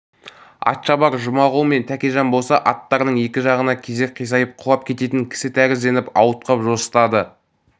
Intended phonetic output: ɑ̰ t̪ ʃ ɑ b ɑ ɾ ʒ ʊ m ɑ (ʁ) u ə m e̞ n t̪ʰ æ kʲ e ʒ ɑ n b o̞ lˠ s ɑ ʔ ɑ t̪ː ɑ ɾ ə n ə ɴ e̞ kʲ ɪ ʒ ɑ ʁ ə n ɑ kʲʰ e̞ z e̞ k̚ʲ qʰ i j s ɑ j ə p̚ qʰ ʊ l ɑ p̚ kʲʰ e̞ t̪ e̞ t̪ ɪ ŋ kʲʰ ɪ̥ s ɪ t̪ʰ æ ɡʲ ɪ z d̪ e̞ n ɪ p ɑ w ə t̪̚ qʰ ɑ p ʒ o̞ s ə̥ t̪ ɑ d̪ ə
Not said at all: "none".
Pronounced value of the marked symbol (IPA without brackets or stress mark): ʁ